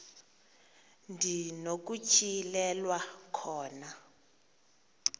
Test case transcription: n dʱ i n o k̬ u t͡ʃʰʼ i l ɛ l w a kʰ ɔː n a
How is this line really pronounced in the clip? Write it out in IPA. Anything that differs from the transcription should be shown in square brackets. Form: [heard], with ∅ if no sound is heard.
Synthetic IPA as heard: n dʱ i n o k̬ u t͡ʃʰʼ i l ɛ l w a kʰ ɔː n a